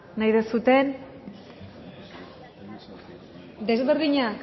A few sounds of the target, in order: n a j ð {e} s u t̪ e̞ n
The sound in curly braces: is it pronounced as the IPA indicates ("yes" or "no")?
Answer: yes